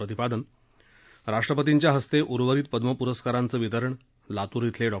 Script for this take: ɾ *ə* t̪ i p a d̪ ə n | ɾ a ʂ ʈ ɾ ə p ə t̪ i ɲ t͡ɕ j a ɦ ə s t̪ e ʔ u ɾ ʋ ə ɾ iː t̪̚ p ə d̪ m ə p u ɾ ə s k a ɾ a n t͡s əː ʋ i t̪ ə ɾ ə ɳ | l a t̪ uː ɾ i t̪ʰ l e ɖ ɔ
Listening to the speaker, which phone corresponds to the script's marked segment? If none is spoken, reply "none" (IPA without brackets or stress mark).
ə